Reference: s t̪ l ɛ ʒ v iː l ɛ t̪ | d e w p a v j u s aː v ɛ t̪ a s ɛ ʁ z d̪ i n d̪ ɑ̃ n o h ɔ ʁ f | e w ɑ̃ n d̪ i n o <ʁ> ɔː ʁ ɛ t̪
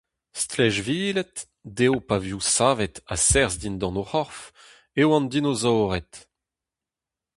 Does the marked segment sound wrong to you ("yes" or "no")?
yes